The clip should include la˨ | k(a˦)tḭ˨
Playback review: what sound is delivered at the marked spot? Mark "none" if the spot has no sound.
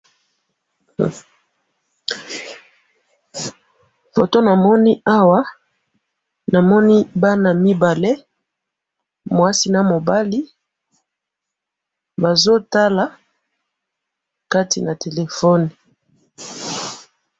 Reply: a˦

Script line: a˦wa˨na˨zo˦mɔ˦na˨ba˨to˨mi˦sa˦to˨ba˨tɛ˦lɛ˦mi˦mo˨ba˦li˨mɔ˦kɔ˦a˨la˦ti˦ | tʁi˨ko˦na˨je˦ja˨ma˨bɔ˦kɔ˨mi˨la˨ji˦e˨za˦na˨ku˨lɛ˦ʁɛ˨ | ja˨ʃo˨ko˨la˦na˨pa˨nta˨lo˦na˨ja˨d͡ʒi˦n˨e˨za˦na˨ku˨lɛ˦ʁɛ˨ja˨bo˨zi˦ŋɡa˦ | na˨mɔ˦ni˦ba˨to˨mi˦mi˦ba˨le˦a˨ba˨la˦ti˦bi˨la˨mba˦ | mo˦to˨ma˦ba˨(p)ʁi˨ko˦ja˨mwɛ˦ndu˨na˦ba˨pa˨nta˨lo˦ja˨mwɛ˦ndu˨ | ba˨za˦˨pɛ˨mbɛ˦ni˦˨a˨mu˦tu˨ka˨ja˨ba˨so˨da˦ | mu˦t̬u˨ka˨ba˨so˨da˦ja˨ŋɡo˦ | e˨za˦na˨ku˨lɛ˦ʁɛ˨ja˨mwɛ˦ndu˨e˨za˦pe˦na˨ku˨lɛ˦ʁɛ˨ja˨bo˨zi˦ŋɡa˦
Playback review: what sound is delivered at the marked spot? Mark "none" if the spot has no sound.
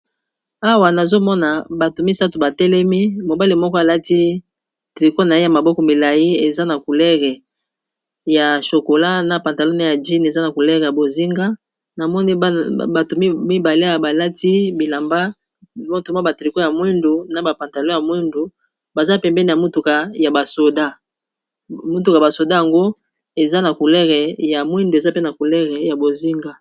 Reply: t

